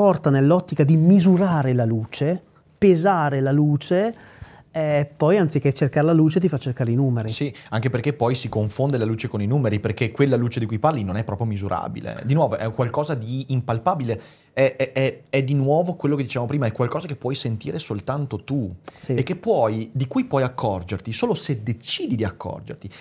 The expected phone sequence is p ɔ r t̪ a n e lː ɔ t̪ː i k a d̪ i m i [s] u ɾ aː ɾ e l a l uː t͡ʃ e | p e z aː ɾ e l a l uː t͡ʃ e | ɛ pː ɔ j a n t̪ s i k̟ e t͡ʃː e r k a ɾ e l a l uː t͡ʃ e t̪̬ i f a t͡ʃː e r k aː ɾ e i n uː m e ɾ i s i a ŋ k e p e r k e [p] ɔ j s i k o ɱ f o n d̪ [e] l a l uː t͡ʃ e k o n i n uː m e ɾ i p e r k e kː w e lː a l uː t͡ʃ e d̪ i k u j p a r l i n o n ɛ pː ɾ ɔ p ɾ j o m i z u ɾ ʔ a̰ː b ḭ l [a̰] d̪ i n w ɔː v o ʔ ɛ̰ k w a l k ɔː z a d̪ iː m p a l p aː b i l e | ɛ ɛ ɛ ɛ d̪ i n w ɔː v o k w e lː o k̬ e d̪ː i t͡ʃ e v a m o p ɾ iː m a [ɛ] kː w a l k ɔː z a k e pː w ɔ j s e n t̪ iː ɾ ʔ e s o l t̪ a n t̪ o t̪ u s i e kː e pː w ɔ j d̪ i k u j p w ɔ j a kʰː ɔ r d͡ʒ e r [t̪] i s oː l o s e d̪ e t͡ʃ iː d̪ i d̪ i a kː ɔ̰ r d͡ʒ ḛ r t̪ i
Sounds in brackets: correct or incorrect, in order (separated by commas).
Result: incorrect, correct, correct, incorrect, correct, correct